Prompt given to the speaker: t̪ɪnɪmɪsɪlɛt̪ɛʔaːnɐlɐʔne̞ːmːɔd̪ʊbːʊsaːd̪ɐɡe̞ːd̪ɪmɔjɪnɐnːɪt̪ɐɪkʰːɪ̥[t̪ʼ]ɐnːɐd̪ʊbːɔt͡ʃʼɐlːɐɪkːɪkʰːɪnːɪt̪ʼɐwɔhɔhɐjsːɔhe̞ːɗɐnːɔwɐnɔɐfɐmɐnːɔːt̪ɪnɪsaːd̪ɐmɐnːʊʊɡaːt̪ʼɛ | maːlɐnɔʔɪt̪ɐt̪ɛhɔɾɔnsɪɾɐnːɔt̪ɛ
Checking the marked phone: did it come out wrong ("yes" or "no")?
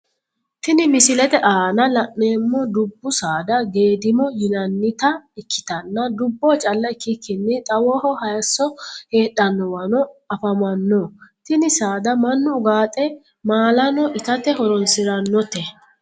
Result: yes